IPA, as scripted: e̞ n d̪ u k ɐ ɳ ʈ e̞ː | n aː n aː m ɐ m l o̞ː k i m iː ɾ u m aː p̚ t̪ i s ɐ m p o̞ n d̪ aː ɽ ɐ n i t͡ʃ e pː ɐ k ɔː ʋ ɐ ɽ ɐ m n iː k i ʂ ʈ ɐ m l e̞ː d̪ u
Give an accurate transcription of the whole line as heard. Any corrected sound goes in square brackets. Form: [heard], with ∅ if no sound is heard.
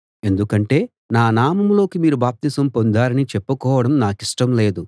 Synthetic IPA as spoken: e̞ n d̪ u k ɐ ɳ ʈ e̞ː | n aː n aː m ɐ m l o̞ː k i m iː ɾ u [b] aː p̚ t̪ i s ɐ m p o̞ n d̪ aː [ɾ] ɐ n i t͡ʃ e pː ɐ k ɔː ʋ ɐ ɽ ɐ m n [aː] k i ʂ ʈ ɐ m l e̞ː d̪ u